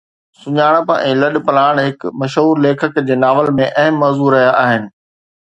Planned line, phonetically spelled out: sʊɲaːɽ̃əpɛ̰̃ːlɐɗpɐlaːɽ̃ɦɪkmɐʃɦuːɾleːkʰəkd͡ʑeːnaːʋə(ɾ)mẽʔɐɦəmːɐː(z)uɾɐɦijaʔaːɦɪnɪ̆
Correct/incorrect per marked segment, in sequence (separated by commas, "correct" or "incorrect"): incorrect, correct